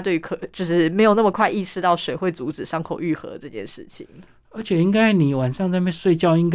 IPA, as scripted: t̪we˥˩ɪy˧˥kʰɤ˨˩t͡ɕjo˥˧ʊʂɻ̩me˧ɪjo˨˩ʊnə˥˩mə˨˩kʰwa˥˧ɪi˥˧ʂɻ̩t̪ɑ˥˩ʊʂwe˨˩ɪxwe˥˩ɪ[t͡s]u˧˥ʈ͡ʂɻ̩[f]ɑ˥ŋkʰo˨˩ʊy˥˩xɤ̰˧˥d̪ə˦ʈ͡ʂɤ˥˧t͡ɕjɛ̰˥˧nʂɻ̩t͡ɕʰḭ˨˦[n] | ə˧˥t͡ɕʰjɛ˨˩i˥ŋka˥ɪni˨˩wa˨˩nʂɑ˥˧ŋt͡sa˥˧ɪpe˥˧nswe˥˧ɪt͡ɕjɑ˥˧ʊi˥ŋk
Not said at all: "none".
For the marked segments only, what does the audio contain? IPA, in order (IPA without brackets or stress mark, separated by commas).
t͡s, ʂ, ŋ